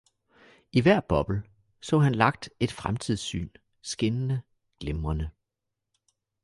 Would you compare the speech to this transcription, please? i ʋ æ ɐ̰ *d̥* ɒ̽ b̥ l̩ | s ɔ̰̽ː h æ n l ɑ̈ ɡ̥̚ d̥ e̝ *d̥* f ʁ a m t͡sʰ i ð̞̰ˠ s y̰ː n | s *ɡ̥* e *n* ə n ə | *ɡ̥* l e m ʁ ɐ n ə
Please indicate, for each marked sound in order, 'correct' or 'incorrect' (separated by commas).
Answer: incorrect, correct, correct, correct, correct